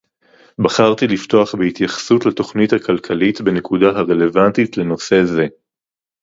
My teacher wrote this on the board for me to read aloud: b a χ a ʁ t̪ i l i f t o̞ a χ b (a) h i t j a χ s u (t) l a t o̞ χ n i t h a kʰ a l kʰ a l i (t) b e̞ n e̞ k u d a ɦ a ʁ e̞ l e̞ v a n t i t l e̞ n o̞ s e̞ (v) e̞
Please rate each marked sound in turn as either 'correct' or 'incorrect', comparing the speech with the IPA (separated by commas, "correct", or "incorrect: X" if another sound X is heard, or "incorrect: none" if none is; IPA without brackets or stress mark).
incorrect: e, correct, correct, incorrect: z